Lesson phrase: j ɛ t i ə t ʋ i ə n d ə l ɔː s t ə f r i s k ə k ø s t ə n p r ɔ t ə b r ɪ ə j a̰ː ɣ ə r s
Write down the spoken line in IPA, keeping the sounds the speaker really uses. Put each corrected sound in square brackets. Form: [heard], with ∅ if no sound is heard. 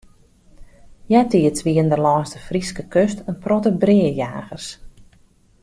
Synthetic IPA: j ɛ t i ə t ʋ i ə n d ə l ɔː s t ə f r i s k ə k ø s t ə n p r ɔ t ə b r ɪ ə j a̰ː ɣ ə r s